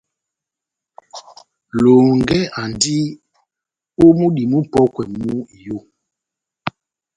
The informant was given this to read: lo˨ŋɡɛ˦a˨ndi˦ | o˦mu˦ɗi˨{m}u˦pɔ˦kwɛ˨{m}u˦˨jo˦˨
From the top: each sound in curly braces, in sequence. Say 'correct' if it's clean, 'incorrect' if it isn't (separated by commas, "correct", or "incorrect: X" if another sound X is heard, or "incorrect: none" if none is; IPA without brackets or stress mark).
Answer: correct, correct